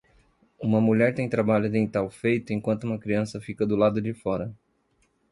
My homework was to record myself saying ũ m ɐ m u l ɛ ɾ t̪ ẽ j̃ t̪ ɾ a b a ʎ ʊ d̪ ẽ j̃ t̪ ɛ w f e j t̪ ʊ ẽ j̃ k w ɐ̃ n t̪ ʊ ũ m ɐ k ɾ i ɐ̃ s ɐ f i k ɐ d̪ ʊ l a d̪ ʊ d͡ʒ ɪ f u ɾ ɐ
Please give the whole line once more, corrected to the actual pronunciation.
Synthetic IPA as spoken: ũ m ɐ m u ʎ ɛ ɾ t̪ ẽ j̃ t̪ ɾ a b a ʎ ʊ d̪ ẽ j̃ t̪ a w f e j t̪ ʊ ẽ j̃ k w ɐ̃ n t̪ ʊ ũ m ɐ k ɾ i ɐ̃ s ɐ f i k ɐ d̪ ʊ l a d̪ ʊ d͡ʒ ɪ f ɔ ɾ ɐ